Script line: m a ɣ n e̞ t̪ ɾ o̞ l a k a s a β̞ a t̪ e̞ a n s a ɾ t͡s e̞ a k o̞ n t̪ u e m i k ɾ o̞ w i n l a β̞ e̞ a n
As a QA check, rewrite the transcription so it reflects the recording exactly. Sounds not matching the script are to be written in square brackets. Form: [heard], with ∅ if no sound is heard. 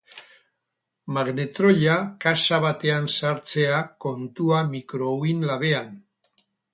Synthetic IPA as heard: m a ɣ n e̞ t̪ ɾ o̞ [ʎ] a k a s a β̞ a t̪ e̞ a n s a ɾ t͡s e̞ a k o̞ n t̪ u [a] m i k ɾ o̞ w i n l a β̞ e̞ a n